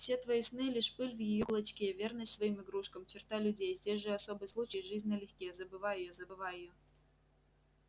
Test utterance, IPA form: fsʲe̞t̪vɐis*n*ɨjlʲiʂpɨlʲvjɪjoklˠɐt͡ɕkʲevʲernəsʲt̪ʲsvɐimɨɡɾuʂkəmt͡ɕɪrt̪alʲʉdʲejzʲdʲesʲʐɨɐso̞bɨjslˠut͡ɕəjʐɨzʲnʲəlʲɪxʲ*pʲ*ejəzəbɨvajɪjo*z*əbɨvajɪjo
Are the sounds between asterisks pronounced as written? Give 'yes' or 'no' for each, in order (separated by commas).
yes, no, yes